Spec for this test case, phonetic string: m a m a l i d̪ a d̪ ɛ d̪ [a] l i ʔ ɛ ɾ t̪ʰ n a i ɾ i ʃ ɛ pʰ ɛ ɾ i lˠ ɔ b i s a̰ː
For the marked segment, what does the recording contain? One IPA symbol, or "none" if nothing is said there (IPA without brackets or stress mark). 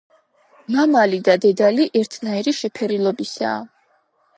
a